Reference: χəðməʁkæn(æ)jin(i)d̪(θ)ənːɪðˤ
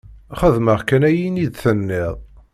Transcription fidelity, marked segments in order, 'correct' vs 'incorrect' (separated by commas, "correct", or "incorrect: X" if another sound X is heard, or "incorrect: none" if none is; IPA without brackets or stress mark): correct, correct, correct